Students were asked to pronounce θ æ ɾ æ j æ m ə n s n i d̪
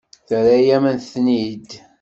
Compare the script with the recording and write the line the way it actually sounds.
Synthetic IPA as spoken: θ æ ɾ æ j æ m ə n θ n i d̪